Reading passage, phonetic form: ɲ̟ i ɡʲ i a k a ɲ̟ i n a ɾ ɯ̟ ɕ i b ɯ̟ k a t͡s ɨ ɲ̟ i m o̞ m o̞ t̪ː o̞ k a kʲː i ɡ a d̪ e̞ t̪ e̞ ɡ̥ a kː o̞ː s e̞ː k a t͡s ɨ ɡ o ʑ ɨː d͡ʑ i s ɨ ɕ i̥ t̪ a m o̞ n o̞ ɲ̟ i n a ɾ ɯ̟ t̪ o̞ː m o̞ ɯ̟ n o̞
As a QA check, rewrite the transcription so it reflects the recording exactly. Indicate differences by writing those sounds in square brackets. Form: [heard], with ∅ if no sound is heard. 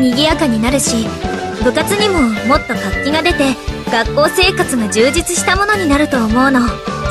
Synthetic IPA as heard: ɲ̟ i ɡʲ i a k a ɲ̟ i n a ɾ ɯ̟ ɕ i b ɯ̟ k a t͡s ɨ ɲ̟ i m o̞ m o̞ t̪ː o̞ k a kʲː i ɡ a d̪ e̞ t̪ e̞ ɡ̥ a kː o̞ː s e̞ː k a t͡s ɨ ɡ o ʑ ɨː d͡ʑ i [t͡s] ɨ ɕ i̥ t̪ a m o̞ n o̞ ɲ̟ i n a ɾ ɯ̟ t̪ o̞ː m o̞ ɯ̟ n o̞